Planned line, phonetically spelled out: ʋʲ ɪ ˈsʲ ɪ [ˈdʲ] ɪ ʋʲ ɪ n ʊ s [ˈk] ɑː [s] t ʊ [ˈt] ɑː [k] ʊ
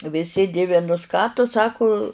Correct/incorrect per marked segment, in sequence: correct, correct, incorrect: none, incorrect: s, correct

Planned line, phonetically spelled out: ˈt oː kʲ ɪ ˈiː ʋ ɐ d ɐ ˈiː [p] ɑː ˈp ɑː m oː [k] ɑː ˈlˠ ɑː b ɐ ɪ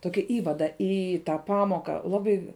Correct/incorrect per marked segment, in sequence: incorrect: t, correct

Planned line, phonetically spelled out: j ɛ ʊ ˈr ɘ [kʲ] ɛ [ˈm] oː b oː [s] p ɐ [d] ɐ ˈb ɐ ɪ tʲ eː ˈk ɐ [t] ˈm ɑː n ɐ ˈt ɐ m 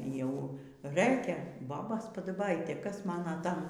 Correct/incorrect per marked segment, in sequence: correct, incorrect: b, correct, correct, incorrect: s

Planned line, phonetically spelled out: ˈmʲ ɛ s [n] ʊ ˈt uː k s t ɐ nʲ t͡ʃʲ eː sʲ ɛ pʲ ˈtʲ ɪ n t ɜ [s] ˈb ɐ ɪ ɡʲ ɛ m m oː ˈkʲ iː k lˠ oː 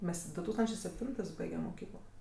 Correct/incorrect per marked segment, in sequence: incorrect: d, correct

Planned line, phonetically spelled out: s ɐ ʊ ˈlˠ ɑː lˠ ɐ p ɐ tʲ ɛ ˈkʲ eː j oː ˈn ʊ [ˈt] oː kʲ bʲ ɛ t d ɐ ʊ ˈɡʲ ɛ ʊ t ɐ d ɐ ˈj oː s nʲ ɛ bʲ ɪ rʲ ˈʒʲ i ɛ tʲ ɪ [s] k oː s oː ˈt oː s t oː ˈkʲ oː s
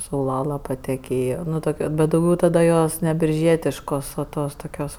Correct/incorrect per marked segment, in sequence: correct, incorrect: ʃ

